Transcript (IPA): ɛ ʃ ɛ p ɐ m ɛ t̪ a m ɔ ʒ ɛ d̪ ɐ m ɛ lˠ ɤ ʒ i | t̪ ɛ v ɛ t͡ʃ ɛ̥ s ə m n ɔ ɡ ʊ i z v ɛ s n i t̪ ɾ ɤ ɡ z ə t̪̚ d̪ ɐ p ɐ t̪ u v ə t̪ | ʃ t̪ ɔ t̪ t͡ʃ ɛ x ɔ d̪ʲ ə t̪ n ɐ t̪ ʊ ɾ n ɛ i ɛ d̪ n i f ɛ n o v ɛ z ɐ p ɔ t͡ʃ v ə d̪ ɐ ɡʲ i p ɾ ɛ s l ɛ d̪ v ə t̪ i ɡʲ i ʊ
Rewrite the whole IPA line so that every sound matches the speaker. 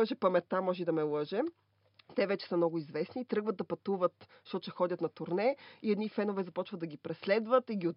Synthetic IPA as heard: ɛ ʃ ɛ p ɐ m ɛ t̪ a m ɔ ʒ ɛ d̪ ɐ m ɛ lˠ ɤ ʒ ɛ | t̪ ɛ v ɛ t͡ʃ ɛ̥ s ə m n ɔ ɡ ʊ i z v ɛ s n i t̪ ɾ ɤ ɡ v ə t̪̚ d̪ ɐ p ɐ t̪ u v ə t̪ | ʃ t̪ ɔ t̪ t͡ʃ ɛ x ɔ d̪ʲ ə t̪ n ɐ t̪ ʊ ɾ n ɛ i ɛ d̪ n i f ɛ n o v ɛ z ɐ p ɔ t͡ʃ v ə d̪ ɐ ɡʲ i p ɾ ɛ s l ɛ d̪ v ə t̪ i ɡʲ i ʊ